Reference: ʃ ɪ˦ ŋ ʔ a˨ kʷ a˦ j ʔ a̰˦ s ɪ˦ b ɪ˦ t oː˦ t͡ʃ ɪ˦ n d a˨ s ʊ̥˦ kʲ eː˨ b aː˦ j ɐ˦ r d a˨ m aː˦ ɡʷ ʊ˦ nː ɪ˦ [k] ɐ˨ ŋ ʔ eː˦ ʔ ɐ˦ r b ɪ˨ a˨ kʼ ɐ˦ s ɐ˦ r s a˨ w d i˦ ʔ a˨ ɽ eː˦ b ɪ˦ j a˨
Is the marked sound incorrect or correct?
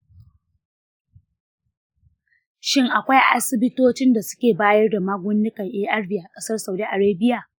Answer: correct